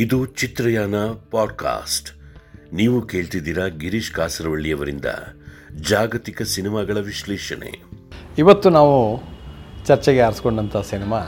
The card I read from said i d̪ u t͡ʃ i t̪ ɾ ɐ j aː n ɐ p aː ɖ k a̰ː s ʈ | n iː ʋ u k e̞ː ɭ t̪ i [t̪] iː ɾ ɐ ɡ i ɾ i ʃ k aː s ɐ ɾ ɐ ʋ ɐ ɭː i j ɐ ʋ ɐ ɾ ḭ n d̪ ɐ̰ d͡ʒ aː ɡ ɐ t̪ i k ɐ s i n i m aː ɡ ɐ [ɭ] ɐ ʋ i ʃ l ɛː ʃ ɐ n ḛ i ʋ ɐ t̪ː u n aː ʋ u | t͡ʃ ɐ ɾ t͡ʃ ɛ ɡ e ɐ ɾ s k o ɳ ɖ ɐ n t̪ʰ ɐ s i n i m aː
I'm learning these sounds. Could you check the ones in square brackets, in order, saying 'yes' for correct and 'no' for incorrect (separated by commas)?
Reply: no, yes